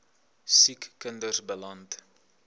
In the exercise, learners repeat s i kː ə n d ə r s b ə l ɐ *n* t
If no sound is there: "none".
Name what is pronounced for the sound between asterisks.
n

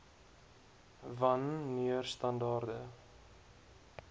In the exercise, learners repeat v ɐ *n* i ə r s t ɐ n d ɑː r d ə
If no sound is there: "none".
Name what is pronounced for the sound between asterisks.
nː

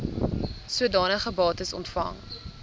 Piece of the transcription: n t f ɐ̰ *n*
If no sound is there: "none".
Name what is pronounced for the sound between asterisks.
ŋ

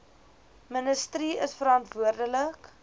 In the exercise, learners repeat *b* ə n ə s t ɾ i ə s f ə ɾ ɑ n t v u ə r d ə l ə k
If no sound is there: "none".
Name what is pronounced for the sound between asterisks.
m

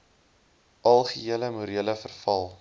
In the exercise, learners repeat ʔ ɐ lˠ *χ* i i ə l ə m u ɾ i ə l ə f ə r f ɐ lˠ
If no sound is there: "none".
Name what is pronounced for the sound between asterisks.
χ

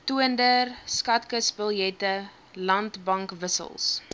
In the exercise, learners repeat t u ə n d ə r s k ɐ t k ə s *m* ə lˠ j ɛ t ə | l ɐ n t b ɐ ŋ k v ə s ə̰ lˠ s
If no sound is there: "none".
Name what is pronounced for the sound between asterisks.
b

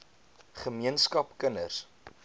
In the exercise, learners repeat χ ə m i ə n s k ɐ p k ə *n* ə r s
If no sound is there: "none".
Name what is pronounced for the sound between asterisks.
n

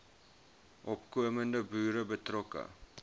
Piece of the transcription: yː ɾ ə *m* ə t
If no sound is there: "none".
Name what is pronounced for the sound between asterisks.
b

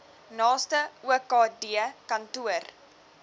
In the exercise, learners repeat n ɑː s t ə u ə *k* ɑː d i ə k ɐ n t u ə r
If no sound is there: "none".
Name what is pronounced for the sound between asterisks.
k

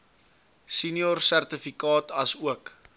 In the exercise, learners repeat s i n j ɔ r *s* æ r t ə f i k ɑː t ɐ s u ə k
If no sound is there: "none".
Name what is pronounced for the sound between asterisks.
s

